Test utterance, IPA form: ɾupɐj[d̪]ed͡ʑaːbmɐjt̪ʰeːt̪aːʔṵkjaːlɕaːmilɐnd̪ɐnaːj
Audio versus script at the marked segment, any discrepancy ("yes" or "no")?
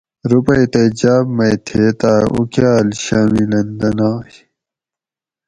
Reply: yes